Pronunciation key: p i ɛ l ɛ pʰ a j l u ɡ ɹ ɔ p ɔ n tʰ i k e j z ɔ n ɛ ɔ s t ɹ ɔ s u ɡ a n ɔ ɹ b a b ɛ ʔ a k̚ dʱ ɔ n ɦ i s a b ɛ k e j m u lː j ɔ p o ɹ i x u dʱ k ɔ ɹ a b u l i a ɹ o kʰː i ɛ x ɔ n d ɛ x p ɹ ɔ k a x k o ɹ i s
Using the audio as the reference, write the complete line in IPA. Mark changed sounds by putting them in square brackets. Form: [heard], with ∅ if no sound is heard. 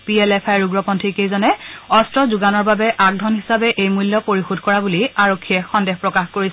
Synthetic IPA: p i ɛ l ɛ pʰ a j [ɹ] u ɡ ɹ ɔ p ɔ n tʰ i k e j z ɔ n ɛ ɔ s t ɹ ɔ [z] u ɡ a n ɔ ɹ b a b ɛ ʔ a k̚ dʱ ɔ n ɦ i s a b ɛ [ʔ] e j m u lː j ɔ p o ɹ i x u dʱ k ɔ ɹ a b u l i a ɹ o kʰː i ɛ x ɔ n d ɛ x p ɹ ɔ k a x k o ɹ i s